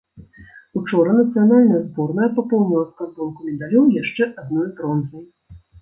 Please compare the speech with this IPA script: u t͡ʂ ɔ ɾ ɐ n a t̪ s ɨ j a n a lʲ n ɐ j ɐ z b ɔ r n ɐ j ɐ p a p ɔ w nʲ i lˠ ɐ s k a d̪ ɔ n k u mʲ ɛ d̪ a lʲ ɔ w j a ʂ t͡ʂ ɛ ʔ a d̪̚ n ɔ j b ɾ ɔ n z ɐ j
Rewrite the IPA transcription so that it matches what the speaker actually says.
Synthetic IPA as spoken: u t͡ʂ ɔ ɾ ɐ n ɐ t̪ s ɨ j a n a lʲ n ɐ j ɐ z b ɔ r n ɐ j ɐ p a p ɔ w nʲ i lˠ ɐ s k a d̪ ɔ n k u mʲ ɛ d̪ a lʲ ɔ w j a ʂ t͡ʂ ɛ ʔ a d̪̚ n ɔ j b ɾ ɔ n z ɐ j